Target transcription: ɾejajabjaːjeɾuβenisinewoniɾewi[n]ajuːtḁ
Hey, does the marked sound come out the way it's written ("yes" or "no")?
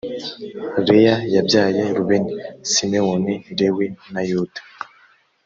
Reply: yes